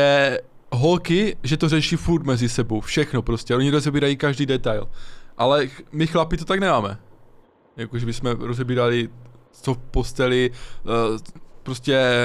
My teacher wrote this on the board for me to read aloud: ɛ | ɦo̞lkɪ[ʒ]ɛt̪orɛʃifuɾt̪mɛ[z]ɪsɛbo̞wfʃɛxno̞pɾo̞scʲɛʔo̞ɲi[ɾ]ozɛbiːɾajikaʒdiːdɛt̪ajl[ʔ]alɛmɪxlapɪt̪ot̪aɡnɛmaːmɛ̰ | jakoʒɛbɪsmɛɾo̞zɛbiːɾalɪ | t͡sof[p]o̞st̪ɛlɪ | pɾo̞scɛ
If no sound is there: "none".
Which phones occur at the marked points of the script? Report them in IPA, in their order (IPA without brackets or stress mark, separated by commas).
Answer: ʒ, z, ɾ, ʔ, p